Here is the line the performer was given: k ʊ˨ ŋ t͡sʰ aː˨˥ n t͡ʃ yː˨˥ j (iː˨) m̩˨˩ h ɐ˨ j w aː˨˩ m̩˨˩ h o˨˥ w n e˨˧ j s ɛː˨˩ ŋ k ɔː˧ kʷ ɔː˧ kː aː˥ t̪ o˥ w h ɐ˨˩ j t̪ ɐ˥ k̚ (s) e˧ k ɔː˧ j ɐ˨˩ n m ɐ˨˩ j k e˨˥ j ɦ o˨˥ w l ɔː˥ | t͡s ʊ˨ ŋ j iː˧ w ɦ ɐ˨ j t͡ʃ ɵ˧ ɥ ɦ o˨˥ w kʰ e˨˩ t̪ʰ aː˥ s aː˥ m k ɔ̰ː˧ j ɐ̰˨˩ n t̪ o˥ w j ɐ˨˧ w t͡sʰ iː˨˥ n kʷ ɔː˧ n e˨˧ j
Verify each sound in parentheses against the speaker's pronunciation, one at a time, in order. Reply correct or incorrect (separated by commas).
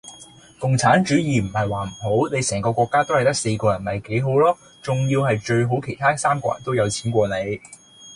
correct, correct